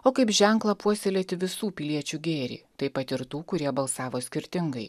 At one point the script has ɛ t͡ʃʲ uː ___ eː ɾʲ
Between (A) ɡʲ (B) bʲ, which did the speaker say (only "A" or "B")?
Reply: A